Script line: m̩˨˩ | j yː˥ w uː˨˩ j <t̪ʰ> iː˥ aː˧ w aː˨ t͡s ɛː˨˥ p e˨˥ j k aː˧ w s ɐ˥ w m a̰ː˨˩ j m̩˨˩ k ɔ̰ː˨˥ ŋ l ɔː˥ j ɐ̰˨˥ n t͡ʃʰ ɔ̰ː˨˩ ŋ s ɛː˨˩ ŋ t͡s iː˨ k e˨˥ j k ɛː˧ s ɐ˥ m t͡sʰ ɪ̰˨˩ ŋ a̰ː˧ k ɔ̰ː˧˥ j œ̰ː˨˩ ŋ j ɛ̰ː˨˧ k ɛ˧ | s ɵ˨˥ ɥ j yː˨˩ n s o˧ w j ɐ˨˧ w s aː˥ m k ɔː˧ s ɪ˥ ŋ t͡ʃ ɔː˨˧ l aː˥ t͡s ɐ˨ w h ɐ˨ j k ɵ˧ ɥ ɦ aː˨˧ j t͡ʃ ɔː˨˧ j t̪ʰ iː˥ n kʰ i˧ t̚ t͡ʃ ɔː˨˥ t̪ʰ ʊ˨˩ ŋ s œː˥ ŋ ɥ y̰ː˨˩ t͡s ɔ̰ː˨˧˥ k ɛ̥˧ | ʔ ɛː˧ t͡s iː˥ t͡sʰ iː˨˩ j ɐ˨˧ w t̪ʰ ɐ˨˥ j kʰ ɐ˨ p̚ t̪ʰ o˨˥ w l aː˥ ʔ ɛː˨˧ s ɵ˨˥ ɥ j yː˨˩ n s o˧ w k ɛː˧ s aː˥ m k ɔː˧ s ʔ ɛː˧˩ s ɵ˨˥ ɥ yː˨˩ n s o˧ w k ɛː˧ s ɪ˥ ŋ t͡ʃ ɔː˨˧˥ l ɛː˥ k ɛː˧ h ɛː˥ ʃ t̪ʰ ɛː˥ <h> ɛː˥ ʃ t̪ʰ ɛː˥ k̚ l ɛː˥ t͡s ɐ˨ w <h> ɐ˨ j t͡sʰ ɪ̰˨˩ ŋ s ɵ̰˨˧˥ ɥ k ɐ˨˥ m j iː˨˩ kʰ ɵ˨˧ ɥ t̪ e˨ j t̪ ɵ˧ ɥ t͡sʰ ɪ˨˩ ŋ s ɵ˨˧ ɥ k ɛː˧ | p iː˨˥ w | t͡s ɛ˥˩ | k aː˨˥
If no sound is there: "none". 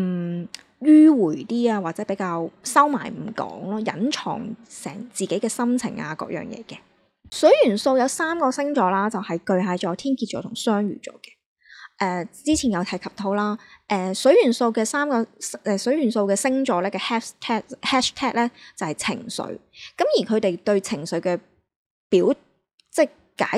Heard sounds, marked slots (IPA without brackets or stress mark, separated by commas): t̪, h, h